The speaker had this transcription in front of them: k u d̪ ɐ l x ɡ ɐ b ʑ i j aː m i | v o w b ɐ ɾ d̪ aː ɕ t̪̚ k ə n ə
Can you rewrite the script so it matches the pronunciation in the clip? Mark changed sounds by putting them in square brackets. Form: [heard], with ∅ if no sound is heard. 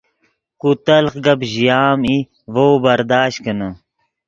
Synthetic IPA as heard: k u [t̪] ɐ l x ɡ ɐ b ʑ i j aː m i | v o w b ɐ ɾ d̪ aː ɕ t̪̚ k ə n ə